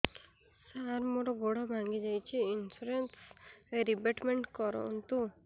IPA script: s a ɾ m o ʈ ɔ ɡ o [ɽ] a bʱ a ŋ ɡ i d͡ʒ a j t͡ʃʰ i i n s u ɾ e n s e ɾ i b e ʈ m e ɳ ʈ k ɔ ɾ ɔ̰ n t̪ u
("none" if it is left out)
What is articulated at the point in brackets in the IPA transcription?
ɽ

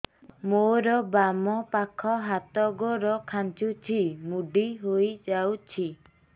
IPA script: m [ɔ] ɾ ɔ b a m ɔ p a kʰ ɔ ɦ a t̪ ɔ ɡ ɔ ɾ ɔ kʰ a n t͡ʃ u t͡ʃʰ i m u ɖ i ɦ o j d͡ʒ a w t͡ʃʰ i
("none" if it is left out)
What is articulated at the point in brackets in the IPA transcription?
o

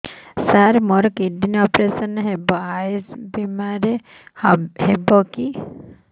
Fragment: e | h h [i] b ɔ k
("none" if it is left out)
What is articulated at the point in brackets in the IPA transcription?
e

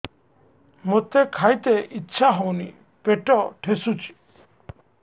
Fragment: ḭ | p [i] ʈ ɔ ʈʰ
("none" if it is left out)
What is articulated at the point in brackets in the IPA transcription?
e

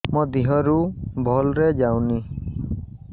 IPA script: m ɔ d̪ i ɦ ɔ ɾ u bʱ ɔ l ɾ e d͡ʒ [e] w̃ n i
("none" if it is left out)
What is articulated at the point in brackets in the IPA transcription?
a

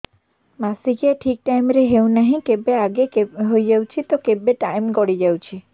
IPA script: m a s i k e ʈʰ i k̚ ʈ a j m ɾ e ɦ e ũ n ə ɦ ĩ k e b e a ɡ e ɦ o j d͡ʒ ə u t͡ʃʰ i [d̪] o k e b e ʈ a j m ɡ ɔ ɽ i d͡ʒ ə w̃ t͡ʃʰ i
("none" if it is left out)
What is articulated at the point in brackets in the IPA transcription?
t̪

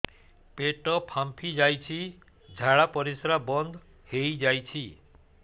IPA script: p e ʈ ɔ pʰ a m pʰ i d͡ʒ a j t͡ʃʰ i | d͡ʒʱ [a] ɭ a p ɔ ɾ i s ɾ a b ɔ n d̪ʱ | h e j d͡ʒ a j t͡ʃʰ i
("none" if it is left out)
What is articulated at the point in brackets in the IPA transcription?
a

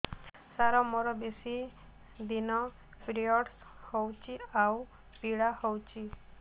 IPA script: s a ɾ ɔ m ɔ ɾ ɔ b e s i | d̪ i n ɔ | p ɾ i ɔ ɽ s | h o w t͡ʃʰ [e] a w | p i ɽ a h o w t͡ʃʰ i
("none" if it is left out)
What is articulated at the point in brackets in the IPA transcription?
i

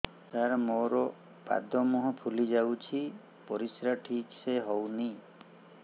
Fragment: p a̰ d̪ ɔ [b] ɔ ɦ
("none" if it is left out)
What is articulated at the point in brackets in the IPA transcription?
m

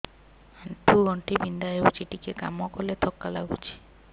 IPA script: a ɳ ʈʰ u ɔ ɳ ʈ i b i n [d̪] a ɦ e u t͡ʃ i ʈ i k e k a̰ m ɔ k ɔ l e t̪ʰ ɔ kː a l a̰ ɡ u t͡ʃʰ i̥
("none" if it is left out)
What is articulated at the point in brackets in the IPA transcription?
d̪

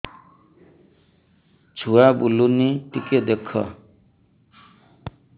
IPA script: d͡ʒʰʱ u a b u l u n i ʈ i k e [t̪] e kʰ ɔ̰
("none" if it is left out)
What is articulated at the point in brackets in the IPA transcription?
d̪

